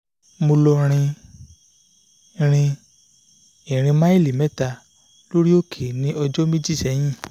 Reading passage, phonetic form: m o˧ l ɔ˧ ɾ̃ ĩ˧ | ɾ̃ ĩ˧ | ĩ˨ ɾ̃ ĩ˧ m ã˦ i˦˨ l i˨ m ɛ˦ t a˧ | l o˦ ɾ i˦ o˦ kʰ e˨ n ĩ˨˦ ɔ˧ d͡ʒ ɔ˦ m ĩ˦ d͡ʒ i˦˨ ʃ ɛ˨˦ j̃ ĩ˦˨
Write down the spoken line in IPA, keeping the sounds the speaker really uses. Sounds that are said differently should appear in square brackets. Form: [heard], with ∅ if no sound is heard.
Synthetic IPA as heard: m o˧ l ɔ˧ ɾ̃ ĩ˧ | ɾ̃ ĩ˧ | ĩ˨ ɾ̃ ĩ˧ m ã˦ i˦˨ l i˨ m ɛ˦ t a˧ | l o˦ ɾ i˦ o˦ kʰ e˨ n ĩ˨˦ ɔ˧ d͡ʒ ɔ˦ m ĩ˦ d͡ʒ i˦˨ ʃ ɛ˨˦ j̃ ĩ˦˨